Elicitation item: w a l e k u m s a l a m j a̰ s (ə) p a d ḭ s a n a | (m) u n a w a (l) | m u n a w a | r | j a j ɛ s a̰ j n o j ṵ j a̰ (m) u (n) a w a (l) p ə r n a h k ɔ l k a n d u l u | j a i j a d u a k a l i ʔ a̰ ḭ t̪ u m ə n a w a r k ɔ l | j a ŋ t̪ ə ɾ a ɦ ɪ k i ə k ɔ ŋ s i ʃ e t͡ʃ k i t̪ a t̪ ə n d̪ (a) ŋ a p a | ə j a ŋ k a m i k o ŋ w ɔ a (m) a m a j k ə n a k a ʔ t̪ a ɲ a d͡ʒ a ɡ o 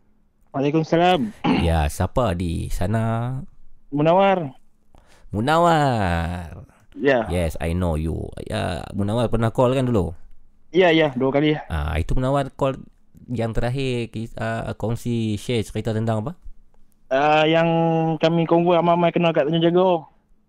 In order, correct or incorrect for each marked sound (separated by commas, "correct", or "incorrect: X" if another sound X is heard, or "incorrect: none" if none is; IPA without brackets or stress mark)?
incorrect: a, correct, incorrect: r, correct, correct, incorrect: r, correct, correct